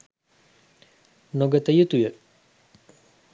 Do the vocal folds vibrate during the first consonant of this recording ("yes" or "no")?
yes